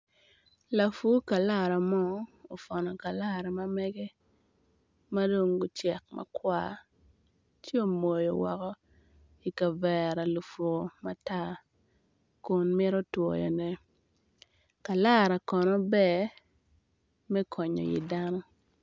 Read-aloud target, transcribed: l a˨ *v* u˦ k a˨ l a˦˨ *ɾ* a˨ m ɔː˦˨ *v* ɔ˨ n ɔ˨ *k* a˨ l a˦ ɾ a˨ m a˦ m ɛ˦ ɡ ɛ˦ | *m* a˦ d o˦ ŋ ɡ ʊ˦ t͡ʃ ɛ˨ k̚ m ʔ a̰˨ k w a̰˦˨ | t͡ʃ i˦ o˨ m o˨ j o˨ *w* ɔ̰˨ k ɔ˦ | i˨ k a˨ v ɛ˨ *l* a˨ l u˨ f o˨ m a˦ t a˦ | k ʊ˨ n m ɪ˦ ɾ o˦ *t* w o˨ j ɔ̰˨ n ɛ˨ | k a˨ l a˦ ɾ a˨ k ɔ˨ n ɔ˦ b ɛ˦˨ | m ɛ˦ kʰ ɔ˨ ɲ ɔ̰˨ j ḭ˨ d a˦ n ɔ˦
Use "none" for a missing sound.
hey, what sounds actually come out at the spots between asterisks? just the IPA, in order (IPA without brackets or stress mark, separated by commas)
f, ɾ, f, k, m, w, ɾ, t